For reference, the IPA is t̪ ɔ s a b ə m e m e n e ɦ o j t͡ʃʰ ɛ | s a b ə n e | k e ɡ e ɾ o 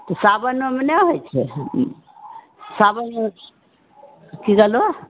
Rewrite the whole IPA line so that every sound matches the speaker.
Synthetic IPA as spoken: t̪ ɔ s a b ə n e m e n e ɦ o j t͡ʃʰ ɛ | s a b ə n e | k i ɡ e l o